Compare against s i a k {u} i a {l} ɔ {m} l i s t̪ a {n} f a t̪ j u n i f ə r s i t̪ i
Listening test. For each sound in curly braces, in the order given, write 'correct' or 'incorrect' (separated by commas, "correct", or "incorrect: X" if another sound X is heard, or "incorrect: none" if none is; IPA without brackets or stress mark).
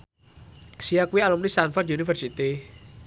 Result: incorrect: w, correct, correct, correct